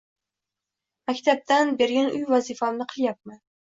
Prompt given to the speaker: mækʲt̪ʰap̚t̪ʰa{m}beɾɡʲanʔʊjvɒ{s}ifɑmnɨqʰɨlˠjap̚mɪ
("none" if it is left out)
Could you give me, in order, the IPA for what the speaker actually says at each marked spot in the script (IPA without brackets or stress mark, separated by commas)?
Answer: n, z